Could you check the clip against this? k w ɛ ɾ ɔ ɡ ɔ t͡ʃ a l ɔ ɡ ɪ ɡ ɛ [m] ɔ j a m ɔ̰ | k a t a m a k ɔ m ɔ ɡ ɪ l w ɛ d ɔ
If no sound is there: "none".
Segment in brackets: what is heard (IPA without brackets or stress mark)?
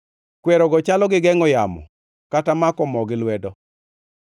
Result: ŋ